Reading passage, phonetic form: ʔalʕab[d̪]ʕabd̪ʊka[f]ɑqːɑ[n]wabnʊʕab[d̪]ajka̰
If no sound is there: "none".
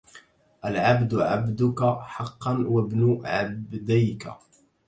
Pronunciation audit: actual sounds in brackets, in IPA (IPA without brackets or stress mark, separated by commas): d̪, ħ, n, d̪